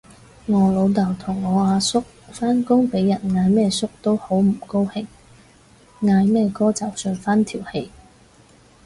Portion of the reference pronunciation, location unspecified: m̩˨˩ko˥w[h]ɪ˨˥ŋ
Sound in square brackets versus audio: correct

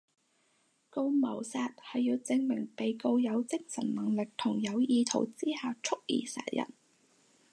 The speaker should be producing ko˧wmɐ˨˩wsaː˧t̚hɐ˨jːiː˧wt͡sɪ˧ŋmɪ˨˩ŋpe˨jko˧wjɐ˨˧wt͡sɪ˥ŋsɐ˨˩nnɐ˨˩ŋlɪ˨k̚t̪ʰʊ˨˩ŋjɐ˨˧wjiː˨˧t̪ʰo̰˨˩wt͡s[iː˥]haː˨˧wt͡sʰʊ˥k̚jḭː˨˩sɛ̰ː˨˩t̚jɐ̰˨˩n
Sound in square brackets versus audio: correct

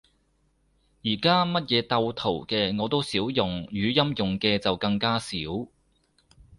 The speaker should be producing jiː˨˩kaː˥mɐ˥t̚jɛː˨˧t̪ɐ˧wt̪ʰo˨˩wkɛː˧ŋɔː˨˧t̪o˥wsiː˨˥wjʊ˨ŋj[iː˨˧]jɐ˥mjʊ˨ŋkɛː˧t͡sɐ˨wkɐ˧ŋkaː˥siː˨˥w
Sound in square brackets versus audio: incorrect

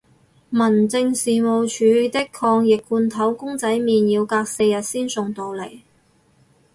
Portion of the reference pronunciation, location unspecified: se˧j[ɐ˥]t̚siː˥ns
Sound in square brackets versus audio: incorrect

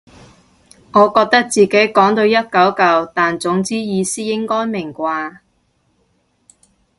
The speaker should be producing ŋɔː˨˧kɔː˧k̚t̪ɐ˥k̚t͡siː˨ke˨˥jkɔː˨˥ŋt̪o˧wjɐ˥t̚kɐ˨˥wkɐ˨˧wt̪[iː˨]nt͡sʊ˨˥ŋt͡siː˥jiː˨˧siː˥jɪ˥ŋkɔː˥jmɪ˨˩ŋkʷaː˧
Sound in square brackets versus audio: incorrect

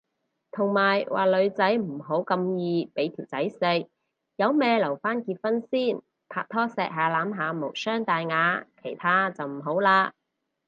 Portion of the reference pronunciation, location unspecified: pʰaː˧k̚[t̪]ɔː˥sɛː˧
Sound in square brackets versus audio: incorrect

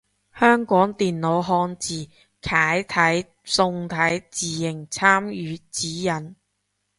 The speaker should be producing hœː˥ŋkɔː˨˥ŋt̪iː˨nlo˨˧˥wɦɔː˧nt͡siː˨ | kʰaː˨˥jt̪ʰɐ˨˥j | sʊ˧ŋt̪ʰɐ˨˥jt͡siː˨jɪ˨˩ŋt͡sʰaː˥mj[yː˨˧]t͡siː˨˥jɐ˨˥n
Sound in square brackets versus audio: correct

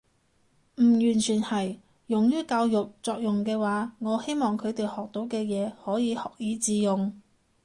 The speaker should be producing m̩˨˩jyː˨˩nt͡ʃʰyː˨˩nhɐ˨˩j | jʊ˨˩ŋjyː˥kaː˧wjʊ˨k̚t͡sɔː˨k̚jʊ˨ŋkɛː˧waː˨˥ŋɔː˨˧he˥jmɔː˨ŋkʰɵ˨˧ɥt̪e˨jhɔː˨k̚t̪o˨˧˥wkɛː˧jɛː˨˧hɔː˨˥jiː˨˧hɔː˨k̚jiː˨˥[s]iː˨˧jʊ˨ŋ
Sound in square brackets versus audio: incorrect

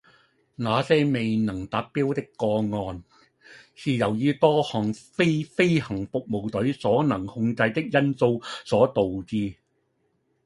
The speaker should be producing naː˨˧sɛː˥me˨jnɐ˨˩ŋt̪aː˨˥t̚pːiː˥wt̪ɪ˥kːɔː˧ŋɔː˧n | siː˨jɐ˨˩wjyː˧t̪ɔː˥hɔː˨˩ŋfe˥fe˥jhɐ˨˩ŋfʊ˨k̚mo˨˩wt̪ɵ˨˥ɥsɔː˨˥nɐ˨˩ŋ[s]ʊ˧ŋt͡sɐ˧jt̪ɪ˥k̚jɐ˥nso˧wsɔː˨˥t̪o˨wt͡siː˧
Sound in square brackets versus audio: incorrect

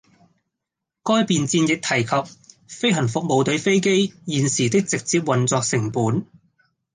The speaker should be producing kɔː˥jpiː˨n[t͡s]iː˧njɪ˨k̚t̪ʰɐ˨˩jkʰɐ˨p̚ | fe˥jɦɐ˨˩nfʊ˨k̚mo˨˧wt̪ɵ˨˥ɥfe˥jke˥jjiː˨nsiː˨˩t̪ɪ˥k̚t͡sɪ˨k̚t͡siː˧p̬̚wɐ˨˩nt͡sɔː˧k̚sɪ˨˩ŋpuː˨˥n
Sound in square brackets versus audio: correct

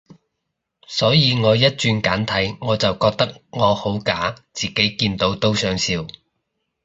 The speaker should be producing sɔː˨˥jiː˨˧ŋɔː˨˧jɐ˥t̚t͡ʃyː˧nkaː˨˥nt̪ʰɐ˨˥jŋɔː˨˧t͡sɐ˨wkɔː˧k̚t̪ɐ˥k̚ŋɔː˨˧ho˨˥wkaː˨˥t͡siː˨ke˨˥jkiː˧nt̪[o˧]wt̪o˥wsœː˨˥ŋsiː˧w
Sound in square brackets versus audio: incorrect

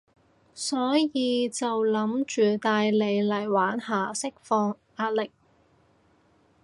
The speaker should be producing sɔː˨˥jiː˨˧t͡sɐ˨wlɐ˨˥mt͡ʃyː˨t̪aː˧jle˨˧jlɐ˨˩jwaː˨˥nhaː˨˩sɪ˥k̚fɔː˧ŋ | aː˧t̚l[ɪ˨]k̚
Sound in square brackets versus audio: correct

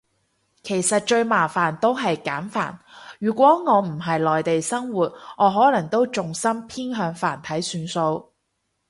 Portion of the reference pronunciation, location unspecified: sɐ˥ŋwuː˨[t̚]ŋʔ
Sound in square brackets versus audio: correct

